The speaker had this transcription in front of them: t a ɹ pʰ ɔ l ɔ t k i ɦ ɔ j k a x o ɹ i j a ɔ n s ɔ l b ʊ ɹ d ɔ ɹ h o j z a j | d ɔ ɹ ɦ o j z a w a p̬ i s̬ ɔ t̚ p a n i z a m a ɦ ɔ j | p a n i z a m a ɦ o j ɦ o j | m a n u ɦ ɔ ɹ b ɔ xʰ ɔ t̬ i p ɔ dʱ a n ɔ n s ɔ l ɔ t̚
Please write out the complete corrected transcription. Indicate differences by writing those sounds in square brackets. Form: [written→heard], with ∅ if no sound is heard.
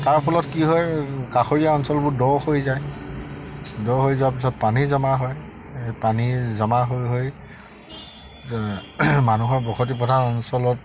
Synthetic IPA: t a ɹ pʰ ɔ l ɔ t k i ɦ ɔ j k a x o ɹ i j a ɔ n s ɔ l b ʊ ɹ d ɔ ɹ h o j z a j | d ɔ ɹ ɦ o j z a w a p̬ i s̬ ɔ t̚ p a n i z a m a ɦ ɔ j | p a n i z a m a ɦ o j ɦ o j | m a n u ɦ ɔ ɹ b ɔ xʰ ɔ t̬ i p ɔ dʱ a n ɔ n s ɔ l ɔ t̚